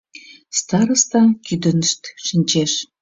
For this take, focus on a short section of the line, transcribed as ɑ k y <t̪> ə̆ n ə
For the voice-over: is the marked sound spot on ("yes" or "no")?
no